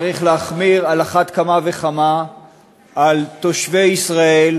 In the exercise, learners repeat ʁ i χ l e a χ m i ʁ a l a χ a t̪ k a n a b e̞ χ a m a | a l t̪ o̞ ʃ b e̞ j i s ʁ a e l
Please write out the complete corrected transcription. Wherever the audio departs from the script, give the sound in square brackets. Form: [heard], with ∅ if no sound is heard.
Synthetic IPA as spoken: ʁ i χ l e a χ m i ʁ a l a χ a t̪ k a [m] a [v] e̞ χ a m a | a l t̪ o̞ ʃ [v] e̞ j i s ʁ a e l